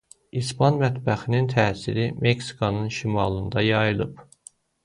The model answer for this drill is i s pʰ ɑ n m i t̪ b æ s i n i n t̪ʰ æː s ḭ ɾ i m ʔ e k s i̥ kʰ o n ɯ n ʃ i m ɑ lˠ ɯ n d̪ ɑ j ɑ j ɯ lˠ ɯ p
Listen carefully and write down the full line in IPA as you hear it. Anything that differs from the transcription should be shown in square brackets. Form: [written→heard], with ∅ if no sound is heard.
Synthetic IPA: i s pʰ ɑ n m [i→æ] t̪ b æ [s→x] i n i n t̪ʰ æː s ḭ ɾ i m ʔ e k s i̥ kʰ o n ɯ n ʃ i m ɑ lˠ ɯ n d̪ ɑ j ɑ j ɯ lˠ ɯ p